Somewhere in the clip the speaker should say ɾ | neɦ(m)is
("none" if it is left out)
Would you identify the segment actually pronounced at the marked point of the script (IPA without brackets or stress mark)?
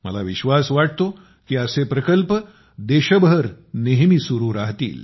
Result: m